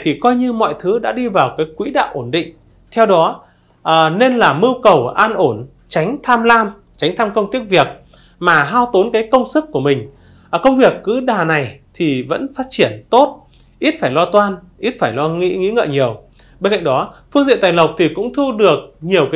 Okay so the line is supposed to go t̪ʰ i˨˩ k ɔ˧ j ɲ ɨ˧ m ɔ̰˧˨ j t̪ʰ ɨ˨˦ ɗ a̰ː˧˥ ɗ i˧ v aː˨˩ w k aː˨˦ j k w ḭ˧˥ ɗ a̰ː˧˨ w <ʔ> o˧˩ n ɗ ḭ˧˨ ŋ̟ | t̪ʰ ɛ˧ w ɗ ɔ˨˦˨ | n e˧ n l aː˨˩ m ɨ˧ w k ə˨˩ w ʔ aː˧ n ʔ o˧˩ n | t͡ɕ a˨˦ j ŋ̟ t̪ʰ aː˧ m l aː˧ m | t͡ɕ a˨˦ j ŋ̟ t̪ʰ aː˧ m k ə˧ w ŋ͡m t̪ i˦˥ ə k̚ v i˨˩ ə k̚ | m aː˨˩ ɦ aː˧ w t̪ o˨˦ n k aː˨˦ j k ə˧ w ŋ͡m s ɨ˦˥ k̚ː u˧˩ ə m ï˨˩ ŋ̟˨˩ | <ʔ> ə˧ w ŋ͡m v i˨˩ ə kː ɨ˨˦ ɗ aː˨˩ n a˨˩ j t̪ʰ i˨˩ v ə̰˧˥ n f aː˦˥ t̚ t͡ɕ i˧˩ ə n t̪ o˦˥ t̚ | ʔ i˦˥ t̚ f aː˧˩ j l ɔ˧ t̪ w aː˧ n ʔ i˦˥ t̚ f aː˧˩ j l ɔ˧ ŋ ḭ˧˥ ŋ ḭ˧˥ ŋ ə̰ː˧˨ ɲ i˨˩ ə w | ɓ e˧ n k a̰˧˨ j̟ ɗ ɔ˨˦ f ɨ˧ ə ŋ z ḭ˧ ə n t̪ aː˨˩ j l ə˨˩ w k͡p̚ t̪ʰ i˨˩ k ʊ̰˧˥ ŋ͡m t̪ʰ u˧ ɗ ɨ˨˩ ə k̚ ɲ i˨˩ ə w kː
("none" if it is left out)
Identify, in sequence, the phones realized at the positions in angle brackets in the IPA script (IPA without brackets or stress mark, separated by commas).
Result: ʔ, k